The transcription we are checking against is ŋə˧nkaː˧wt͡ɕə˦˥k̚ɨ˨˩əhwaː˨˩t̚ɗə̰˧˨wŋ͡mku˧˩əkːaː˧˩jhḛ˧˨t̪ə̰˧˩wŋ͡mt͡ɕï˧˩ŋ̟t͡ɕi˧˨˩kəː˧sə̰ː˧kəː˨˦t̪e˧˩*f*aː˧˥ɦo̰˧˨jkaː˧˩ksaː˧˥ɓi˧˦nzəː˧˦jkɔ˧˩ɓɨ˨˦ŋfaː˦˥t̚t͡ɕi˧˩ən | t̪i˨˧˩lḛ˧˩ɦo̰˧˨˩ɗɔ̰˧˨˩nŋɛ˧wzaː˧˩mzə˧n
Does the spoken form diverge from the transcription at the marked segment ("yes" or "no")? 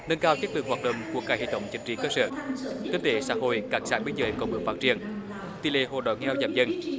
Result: yes